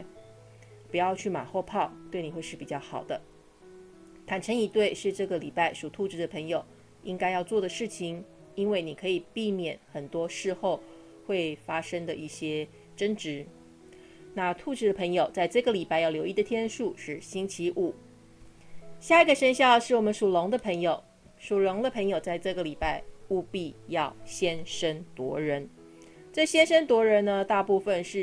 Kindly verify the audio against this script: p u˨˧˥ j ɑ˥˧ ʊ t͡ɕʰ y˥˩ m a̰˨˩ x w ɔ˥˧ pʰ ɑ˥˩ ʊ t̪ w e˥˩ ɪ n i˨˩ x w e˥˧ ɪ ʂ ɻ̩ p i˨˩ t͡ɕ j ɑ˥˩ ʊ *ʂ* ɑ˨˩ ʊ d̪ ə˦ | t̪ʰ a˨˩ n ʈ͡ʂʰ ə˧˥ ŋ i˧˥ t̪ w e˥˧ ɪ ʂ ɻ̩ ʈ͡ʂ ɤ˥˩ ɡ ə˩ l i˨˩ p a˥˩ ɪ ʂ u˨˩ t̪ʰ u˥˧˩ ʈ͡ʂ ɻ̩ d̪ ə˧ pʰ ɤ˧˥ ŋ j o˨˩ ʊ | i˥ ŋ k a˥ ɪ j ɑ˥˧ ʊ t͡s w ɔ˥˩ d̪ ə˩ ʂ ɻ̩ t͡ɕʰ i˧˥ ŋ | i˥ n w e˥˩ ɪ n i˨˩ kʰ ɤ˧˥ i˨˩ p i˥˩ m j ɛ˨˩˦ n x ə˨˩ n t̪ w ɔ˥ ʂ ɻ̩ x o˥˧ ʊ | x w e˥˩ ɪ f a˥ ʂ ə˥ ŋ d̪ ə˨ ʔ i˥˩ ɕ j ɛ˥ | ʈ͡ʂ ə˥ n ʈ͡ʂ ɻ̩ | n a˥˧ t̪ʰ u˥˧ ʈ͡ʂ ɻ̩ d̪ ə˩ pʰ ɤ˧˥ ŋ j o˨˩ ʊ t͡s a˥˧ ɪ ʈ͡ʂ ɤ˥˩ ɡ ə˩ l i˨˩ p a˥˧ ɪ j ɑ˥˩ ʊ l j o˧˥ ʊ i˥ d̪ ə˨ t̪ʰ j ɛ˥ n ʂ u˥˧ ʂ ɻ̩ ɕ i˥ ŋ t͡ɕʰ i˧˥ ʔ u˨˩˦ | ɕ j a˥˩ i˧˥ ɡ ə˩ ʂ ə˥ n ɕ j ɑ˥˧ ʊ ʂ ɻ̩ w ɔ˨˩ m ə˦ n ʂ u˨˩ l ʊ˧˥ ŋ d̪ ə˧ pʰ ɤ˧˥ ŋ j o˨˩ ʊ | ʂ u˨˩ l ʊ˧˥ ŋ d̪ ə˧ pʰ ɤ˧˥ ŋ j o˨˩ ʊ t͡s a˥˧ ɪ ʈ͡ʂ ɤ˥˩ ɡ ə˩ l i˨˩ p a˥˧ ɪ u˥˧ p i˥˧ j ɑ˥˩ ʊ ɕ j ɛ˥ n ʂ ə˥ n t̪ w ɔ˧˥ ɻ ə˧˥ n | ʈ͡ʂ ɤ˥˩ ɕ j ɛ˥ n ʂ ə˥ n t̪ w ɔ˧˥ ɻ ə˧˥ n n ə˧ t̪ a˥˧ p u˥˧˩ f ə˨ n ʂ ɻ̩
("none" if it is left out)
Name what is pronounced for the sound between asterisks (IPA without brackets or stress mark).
x